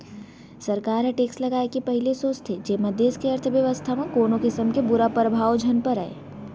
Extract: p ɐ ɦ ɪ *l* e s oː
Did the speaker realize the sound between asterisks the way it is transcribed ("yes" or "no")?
yes